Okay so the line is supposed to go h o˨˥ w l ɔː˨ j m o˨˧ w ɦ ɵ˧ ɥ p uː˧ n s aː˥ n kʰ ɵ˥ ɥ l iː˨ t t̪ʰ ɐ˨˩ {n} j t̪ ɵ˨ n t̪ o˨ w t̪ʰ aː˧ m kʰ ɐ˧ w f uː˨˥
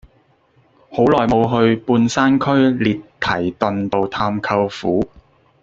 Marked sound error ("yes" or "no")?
yes